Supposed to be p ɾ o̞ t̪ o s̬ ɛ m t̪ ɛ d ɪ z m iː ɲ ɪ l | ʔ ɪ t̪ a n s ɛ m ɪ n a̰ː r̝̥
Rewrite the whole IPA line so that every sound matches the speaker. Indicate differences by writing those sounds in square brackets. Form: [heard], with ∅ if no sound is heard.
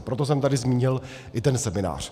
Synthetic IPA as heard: p ɾ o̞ t̪ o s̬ ɛ m t̪ [a] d ɪ z m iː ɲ ɪ l | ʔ ɪ t̪ [ɛ] n s ɛ m ɪ n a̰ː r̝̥